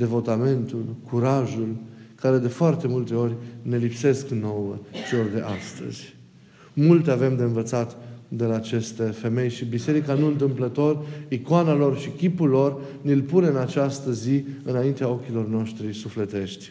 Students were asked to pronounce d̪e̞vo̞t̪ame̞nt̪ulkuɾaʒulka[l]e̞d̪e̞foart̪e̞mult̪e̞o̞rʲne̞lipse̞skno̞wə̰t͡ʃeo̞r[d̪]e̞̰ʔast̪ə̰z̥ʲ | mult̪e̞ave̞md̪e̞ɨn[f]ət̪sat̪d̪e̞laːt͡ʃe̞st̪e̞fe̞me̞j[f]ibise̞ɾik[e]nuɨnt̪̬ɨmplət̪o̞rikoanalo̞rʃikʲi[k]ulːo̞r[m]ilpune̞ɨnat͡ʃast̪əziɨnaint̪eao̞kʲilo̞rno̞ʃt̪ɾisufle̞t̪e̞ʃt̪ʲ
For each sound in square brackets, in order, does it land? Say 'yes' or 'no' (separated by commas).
no, yes, no, no, no, no, no